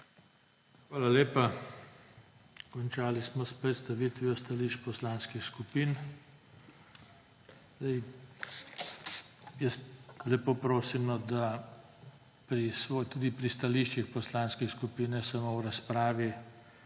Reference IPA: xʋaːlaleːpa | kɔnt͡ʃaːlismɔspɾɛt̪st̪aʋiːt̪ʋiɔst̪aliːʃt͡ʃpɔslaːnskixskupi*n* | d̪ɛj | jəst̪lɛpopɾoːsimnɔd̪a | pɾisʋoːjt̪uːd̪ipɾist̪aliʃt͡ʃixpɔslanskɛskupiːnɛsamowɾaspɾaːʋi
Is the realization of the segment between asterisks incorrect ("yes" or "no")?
no